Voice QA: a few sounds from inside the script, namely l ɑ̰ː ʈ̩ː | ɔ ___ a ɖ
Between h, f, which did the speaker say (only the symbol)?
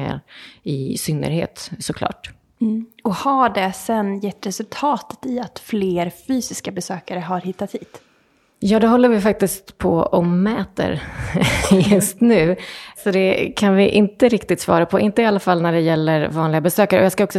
h